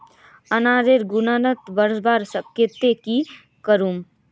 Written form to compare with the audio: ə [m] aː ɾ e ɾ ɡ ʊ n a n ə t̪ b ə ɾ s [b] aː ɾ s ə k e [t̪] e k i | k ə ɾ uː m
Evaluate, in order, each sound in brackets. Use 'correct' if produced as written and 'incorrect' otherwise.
incorrect, correct, correct

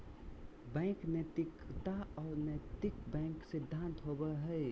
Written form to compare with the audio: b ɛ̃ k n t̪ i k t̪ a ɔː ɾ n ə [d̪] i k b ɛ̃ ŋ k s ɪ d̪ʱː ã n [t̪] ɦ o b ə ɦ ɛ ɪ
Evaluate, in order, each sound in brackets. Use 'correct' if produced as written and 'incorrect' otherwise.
incorrect, correct

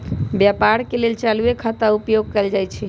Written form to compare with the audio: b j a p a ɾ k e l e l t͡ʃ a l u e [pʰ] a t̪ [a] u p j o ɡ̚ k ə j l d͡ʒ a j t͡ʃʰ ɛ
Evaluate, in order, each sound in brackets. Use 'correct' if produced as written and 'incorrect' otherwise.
incorrect, correct

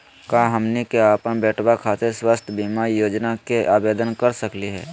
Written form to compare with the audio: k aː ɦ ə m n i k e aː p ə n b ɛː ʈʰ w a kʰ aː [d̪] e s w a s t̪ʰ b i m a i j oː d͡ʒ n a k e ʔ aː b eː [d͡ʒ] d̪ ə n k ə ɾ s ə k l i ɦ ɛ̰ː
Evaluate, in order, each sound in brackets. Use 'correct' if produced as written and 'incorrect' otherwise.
incorrect, incorrect

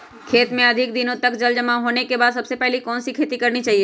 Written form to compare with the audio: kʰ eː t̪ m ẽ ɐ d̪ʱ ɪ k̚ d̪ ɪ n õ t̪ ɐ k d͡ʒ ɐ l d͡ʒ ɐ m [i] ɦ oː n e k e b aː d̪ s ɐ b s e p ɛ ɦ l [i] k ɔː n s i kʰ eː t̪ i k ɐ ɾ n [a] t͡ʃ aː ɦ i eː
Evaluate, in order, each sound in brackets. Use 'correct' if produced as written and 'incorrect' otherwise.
incorrect, correct, incorrect

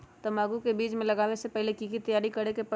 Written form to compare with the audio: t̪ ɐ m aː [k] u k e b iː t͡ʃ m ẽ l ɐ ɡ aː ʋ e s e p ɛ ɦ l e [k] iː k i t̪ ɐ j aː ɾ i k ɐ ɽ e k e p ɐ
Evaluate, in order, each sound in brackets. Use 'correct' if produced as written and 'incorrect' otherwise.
incorrect, correct

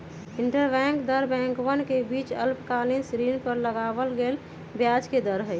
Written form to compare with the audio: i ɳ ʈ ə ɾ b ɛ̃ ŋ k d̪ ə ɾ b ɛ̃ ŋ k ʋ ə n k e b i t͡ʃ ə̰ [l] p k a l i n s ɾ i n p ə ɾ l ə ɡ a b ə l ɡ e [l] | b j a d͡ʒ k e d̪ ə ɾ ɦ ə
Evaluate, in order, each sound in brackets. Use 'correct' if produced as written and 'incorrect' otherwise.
correct, correct

